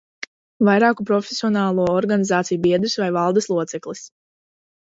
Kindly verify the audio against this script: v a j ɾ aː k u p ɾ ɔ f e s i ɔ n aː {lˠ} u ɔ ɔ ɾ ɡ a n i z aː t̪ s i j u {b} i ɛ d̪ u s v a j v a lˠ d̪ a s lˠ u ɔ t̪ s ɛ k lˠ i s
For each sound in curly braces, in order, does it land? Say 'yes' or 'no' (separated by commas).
yes, yes